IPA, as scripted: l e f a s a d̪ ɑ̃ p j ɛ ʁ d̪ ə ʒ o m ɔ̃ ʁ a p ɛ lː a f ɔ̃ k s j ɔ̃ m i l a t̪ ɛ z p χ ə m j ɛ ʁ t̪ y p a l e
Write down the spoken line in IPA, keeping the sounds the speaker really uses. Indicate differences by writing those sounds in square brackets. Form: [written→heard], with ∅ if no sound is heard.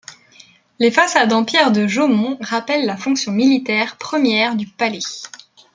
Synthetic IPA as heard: l e f a s a d̪ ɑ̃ p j ɛ ʁ d̪ ə ʒ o m ɔ̃ ʁ a p ɛ lː a f ɔ̃ k s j ɔ̃ m i l [a→i] t̪ ɛ [z→ʁ] p χ ə m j ɛ ʁ [t̪→d̪] y p a l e